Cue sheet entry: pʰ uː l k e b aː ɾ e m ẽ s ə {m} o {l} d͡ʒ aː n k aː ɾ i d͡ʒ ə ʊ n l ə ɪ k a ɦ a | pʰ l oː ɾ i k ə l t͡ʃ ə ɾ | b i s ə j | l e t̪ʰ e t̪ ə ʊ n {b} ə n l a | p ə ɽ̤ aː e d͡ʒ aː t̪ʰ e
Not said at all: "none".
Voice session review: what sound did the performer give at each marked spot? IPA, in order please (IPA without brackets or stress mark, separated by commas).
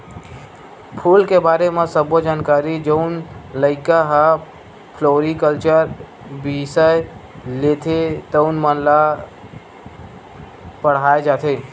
b, none, m